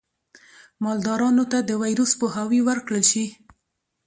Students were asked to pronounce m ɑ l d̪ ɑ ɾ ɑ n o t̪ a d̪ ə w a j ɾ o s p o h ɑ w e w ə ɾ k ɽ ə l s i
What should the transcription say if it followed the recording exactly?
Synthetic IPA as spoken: m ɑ l d̪ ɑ ɾ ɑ n o t̪ a d̪ ə w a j ɾ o s p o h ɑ w i w ə ɾ k ɽ ə l ʃ i